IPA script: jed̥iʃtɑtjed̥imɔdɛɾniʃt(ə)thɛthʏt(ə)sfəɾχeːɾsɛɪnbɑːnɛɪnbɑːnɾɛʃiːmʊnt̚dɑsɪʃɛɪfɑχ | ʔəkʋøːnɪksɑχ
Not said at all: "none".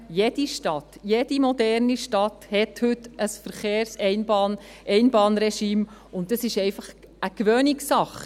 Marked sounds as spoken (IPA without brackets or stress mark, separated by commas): ɑ, ə